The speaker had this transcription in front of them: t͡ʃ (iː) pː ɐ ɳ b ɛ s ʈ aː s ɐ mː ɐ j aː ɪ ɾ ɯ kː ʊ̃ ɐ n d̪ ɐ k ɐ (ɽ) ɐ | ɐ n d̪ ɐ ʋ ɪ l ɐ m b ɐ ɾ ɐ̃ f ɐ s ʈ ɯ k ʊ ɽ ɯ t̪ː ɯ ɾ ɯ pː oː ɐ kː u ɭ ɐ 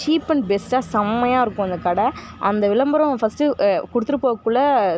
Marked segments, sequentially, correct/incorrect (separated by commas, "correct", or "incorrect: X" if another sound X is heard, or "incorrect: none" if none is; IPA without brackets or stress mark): correct, correct